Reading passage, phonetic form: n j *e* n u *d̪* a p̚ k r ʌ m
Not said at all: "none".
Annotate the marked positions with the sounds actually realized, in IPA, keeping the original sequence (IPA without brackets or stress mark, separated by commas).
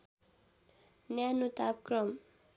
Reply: a, t̪